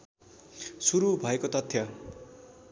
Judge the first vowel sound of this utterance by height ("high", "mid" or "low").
high